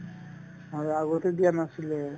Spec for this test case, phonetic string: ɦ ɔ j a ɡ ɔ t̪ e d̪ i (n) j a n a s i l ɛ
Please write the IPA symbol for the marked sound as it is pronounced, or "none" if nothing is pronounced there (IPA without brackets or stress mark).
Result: none